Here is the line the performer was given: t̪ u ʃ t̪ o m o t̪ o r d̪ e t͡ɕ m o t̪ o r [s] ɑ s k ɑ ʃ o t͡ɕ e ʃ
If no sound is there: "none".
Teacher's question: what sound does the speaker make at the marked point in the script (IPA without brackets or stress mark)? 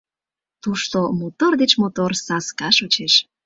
s